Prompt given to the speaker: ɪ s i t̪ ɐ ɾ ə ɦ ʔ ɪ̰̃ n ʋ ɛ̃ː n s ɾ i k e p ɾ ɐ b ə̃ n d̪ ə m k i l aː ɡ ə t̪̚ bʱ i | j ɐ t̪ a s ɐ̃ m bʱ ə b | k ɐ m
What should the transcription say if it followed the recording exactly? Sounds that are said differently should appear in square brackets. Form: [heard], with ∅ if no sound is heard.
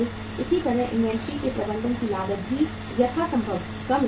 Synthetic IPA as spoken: ɪ s i t̪ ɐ ɾ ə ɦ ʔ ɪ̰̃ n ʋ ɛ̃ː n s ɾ i k e p ɾ ɐ b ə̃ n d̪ ə [n] k i l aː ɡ ə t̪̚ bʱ i | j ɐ [t̪ʰ] a s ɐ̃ m bʱ ə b | k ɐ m